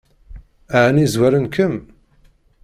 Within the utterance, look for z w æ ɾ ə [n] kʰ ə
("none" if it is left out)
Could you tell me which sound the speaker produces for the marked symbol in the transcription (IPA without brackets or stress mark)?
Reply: n